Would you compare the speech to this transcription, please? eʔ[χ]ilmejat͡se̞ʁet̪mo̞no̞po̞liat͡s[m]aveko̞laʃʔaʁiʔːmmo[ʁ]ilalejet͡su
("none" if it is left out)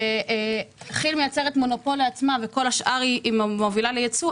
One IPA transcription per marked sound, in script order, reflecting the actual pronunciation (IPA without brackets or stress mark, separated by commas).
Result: χ, m, v